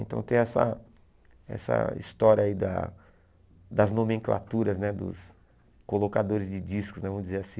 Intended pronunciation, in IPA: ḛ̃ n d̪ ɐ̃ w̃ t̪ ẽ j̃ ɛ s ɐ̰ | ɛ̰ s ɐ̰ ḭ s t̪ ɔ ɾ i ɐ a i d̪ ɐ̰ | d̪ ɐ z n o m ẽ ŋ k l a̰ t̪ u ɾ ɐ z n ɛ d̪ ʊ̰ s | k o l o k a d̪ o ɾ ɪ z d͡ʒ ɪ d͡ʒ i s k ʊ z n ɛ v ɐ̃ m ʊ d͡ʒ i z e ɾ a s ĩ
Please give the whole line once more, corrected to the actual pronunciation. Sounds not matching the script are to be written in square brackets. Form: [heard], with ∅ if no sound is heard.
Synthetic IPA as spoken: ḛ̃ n [t̪] ɐ̃ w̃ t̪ ẽ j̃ ɛ s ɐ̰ | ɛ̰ s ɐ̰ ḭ s t̪ ɔ ɾ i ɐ a i d̪ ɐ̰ | d̪ ɐ z n o m ẽ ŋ k l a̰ t̪ u ɾ ɐ z n ɛ d̪ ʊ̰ s | k o l o k a d̪ o ɾ ɪ z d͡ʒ ɪ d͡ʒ i s k ʊ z n ɛ v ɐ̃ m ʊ d͡ʒ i z e ɾ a s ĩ